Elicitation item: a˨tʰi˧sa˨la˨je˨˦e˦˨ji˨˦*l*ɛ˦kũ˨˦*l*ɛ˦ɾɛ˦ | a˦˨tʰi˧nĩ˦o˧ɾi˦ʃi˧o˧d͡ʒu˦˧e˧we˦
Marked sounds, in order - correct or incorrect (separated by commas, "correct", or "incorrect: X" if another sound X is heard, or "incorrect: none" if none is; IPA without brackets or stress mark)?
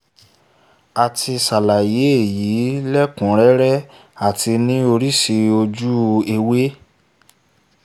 correct, incorrect: ɾ